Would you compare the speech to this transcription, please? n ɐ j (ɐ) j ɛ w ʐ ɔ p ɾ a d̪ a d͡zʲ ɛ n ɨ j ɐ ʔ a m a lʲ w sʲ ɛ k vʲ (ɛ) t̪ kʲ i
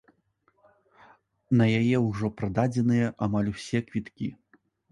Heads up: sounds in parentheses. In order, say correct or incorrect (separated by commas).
incorrect, incorrect